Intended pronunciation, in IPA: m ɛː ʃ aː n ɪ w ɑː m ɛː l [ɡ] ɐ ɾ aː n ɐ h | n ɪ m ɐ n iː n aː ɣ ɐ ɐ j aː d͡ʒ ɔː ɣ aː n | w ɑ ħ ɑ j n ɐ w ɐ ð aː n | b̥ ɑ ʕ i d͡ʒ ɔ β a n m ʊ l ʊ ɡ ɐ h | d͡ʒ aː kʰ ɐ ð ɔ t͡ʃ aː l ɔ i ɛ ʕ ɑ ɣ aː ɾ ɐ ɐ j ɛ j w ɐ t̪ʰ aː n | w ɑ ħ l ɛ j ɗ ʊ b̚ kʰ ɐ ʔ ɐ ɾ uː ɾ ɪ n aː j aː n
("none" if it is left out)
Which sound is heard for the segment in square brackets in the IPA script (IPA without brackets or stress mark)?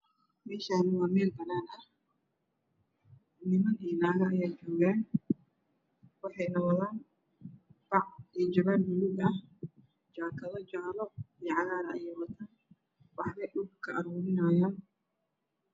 b